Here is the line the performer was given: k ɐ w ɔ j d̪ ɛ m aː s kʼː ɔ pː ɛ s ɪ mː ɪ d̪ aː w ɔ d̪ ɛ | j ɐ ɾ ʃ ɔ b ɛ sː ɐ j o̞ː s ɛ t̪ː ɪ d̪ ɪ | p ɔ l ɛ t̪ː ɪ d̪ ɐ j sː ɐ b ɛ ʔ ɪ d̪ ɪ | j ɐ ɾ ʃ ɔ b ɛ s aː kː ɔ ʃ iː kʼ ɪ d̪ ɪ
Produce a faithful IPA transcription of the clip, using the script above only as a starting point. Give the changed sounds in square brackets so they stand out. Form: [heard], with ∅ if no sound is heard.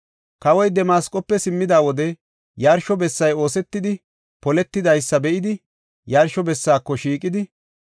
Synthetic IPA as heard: k ɐ w ɔ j d̪ ɛ m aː s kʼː ɔ pː ɛ s ɪ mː ɪ d̪ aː w ɔ d̪ ɛ | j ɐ ɾ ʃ ɔ b ɛ sː ɐ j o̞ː s ɛ t̪ː ɪ d̪ ɪ | p ɔ l ɛ t̪ː ɪ d̪ ɐ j sː ɐ b ɛ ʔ ɪ d̪ ɪ | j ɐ ɾ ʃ ɔ b ɛ [sː] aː kː ɔ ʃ iː kʼ ɪ d̪ ɪ